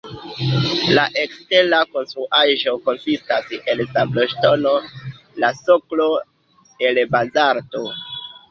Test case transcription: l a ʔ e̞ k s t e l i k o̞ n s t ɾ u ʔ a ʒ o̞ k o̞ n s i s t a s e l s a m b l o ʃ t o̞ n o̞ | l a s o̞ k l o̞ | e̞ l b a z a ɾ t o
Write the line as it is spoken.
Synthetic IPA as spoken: l a ʔ e̞ k s t e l a k o̞ n s t ɾ u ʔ a ʒ o̞ k o̞ n s i s t a s e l s a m b l o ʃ t o̞ n o̞ | l a s o̞ k l o̞ | e̞ l b a z a ɾ t o